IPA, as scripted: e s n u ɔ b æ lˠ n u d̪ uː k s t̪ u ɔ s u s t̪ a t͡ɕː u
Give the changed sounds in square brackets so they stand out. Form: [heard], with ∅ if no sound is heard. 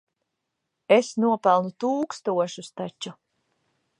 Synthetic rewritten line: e s n u ɔ [p] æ lˠ n u [t̪] uː k s t̪ u ɔ [ʃ] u s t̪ a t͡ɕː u